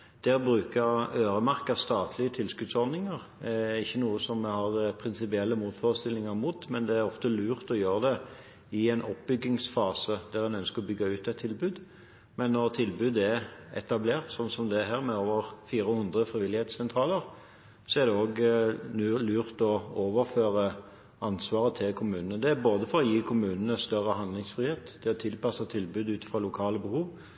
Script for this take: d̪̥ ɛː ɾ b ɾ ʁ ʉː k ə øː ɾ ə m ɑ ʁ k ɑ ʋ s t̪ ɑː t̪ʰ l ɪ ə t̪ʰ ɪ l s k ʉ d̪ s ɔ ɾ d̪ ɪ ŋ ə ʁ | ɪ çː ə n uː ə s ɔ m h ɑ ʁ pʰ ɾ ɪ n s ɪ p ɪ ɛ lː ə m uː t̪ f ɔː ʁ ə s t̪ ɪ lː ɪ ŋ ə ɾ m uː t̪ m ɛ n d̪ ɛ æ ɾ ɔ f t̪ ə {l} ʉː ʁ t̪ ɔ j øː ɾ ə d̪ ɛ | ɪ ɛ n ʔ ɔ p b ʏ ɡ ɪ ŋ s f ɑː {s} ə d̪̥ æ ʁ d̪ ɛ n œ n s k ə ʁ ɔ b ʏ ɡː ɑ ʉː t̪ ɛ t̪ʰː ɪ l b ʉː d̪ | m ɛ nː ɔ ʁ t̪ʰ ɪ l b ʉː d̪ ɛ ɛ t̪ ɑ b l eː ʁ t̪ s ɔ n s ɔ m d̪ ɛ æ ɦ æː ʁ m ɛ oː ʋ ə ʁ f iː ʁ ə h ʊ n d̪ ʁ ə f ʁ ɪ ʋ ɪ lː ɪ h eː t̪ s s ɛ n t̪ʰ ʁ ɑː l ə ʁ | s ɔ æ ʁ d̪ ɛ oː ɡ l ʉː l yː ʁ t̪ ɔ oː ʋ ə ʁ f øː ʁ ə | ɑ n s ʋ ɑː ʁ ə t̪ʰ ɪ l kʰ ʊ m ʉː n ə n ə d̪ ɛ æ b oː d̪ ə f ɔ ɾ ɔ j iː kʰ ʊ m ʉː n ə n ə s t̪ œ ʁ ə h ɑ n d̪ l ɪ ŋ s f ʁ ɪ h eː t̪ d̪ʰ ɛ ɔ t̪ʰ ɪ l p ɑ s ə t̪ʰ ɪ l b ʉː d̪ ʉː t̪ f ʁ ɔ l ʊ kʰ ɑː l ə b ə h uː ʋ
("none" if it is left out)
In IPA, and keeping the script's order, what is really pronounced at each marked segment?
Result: l, s

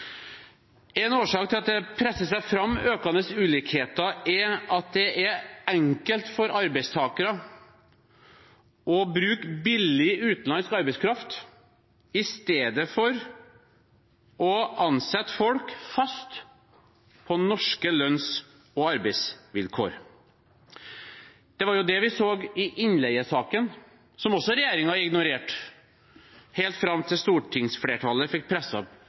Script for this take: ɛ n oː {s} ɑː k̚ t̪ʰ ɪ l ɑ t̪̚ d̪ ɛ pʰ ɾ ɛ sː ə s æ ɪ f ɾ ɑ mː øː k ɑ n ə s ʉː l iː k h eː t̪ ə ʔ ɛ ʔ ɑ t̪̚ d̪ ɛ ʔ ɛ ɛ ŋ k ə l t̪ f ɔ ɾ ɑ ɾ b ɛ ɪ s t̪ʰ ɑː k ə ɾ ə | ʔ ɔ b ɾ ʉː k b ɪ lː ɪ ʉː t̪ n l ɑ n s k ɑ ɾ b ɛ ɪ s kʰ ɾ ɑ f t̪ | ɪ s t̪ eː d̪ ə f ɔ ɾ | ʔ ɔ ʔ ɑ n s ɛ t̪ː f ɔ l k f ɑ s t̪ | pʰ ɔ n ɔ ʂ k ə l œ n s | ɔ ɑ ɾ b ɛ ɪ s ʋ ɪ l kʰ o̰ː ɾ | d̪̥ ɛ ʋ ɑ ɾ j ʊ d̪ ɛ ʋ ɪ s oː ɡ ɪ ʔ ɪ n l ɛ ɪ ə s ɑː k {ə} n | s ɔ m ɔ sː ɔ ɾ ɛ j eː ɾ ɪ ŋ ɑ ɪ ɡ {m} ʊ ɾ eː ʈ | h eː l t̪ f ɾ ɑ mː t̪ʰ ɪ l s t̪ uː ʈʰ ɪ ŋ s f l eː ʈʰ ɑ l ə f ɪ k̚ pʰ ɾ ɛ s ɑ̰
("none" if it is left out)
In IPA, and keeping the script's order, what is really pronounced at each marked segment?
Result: ʂ, ə, n

